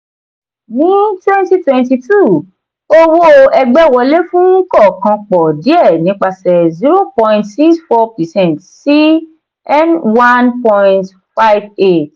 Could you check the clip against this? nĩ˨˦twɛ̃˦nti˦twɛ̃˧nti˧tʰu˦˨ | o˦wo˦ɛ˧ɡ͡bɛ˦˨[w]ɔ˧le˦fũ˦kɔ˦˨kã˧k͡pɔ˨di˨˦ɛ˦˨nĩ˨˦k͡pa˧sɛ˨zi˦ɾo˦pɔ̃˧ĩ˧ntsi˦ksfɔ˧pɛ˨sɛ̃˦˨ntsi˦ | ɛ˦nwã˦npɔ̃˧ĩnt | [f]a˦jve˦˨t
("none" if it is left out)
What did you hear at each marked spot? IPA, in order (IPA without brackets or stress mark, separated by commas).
w, f